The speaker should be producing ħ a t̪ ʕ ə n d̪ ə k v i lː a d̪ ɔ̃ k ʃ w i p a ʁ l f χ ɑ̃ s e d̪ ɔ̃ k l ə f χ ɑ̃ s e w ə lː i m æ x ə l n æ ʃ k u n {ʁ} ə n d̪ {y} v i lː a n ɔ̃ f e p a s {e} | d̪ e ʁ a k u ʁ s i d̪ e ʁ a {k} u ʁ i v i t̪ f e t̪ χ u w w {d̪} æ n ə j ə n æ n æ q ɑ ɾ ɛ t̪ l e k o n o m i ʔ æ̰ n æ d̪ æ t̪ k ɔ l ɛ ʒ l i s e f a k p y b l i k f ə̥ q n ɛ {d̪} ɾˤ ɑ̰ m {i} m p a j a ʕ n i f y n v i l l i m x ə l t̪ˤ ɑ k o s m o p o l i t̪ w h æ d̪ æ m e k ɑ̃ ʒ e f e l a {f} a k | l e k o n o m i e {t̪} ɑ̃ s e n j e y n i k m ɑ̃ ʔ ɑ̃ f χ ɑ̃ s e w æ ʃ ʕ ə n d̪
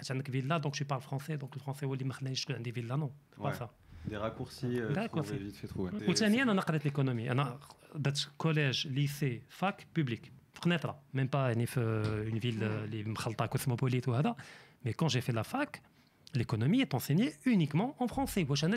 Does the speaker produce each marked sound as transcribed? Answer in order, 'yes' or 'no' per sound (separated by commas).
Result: no, no, no, yes, no, no, no, yes, yes